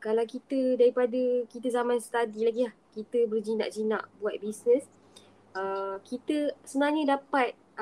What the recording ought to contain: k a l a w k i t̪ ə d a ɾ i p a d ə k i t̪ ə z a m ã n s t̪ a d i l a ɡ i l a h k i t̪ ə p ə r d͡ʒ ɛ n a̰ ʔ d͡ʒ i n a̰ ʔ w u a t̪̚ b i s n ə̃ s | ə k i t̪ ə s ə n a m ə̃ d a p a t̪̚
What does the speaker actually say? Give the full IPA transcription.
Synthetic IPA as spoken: k a l a w k i t̪ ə d a ɾ i p a d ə k i t̪ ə z a m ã n s t̪ a d i l a ɡ i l a h k i t̪ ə b ə r d͡ʒ i n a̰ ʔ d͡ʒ i n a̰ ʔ b u a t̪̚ b i s n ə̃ s | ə k i t̪ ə s ə n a ɲ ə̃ d a p a t̪̚